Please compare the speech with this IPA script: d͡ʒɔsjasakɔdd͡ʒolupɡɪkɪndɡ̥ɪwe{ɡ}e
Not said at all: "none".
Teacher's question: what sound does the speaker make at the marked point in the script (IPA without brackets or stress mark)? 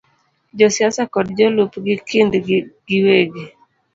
ɡ